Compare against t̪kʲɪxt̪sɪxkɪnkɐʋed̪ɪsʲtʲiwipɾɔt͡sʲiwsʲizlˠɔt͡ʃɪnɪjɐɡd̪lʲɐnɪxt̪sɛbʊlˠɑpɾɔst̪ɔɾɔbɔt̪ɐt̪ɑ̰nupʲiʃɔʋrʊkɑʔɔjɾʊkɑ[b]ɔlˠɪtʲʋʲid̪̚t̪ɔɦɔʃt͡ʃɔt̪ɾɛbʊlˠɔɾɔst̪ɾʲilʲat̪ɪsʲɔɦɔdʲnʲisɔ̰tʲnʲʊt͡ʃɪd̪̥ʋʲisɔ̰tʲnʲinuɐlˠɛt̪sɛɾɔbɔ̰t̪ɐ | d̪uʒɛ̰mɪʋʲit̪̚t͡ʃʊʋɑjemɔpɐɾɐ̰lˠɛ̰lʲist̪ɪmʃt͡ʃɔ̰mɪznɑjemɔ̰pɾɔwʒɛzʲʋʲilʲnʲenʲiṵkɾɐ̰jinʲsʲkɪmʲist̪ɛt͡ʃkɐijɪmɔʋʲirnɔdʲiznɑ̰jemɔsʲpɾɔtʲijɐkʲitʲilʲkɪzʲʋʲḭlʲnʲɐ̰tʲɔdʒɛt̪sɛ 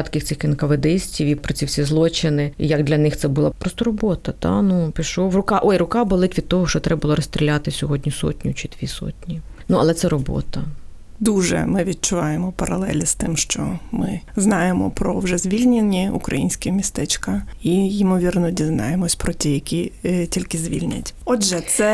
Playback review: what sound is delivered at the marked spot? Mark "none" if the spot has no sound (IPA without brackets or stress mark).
b